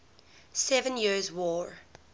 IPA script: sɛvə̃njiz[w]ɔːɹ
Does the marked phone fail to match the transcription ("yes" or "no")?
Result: no